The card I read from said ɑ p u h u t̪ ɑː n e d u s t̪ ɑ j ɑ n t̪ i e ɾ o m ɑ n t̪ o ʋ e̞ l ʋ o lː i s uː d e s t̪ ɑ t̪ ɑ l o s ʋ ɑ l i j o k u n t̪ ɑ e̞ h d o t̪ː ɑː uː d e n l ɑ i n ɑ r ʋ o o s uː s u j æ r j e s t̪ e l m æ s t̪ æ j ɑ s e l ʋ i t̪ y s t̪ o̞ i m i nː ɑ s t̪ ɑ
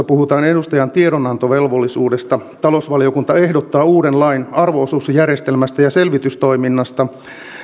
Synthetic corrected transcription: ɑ p u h u t̪ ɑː n e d u s t̪ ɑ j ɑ n t̪ i e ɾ o n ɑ n t̪ o ʋ e̞ l ʋ o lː i s uː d e s t̪ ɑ t̪ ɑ l o s ʋ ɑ l i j o k u n t̪ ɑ e̞ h d o t̪ː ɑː uː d e n l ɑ i n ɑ r ʋ o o s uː s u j æ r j e s t̪ e l m æ s t̪ æ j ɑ s e l ʋ i t̪ y s t̪ o̞ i m i nː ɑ s t̪ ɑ